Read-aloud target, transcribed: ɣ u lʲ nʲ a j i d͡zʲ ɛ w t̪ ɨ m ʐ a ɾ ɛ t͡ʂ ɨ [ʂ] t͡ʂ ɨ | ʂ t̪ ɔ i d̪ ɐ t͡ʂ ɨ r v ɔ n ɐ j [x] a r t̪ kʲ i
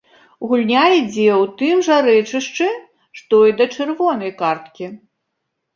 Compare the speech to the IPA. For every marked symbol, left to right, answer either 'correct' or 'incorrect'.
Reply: correct, incorrect

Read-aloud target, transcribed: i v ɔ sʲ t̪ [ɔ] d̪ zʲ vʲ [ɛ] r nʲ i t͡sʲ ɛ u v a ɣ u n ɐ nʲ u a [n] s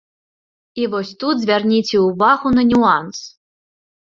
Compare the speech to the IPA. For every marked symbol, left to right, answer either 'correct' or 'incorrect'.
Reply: incorrect, incorrect, correct

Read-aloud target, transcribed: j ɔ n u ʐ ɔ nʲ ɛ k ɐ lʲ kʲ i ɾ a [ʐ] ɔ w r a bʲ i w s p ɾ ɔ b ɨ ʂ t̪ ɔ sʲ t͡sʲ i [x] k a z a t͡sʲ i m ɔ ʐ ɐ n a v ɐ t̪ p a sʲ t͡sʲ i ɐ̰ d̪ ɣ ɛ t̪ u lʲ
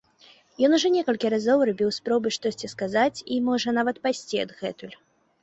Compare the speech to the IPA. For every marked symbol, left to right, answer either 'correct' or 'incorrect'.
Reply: incorrect, incorrect

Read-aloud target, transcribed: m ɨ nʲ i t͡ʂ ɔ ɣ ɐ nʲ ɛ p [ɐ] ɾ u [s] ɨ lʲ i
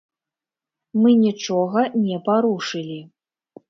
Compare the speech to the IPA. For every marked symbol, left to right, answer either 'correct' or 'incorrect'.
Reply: incorrect, incorrect

